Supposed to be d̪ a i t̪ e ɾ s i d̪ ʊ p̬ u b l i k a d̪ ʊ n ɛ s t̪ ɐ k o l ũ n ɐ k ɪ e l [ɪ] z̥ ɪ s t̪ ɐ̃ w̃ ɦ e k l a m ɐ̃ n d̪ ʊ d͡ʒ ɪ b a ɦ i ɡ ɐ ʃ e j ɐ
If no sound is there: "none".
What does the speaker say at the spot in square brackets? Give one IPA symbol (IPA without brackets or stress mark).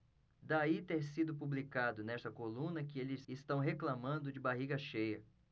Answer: ɪ